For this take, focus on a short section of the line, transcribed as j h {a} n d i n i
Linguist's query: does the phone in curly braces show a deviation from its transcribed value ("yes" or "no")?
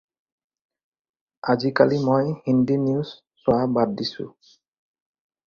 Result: yes